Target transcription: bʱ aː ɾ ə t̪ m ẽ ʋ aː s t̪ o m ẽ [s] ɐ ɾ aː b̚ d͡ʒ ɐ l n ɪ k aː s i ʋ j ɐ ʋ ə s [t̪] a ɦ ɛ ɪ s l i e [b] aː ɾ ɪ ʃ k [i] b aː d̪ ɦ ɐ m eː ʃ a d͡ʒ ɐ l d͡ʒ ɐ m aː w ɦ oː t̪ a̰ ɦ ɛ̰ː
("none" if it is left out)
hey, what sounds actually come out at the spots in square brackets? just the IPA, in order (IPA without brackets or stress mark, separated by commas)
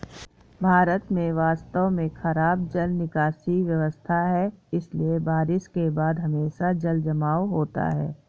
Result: x, t̪ʰ, b, e